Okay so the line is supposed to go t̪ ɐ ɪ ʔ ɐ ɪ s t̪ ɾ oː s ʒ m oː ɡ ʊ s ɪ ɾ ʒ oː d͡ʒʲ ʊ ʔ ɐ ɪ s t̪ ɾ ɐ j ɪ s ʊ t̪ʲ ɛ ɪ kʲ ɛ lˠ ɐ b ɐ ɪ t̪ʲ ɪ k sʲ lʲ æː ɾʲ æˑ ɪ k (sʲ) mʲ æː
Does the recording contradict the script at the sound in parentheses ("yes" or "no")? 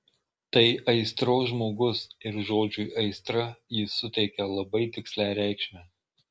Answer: yes